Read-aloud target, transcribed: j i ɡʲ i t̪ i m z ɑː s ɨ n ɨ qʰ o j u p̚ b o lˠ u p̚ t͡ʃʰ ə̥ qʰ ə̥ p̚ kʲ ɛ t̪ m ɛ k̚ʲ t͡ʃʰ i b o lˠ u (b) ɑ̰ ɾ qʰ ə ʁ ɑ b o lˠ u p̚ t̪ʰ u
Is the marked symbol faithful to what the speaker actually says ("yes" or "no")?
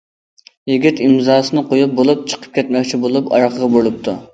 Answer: no